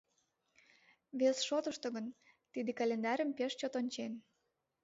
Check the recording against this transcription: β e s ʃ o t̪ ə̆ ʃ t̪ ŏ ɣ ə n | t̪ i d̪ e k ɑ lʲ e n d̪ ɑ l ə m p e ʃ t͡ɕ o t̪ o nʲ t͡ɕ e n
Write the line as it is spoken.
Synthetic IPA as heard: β e s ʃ o t̪ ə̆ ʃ t̪ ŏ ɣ ə n | t̪ i d̪ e k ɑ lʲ e n d̪ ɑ ɾ ə m p e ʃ t͡ɕ o t̪ o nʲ t͡ɕ e n